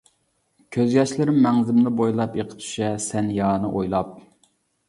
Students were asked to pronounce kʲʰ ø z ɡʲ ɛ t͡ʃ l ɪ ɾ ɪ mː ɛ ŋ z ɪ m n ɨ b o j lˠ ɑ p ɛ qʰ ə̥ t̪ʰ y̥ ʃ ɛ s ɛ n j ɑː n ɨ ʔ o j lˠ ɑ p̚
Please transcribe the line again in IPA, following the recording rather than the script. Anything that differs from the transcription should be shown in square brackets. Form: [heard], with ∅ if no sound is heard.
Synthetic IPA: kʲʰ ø z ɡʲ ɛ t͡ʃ l ɪ ɾ ɪ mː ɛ ŋ z ɪ m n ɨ b o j lˠ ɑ p [e] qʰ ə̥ t̪ʰ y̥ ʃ ɛ s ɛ n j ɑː n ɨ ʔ o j lˠ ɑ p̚